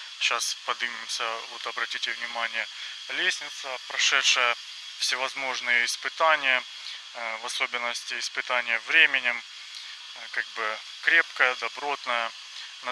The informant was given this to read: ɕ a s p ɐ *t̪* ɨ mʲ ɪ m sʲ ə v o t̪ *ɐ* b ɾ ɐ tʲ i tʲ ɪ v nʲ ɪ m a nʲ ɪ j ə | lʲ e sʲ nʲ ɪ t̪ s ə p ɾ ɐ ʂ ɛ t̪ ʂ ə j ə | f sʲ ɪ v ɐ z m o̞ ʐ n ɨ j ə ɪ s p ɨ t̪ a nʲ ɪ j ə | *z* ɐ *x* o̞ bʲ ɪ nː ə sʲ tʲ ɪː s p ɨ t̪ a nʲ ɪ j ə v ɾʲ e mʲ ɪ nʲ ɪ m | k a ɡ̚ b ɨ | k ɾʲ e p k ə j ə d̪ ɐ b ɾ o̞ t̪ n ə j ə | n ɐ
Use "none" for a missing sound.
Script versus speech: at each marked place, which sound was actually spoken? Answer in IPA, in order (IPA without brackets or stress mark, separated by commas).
d̪, ɐ, v, s